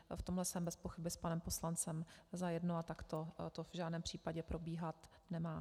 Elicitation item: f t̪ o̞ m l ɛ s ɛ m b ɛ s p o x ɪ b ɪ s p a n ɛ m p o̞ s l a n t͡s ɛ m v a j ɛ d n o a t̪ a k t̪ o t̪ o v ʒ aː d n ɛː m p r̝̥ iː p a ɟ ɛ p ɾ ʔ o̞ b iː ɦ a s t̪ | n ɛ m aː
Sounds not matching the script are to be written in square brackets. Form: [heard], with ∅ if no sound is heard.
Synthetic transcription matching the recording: f t̪ o̞ m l ɛ s ɛ m b ɛ s p o x ɪ b ɪ s p a n ɛ m p o̞ s l a n t͡s ɛ m [z] a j ɛ d n o a t̪ a k t̪ o t̪ o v ʒ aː d n ɛː m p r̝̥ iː p a ɟ ɛ p ɾ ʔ o̞ b iː ɦ a [∅] t̪ | n ɛ m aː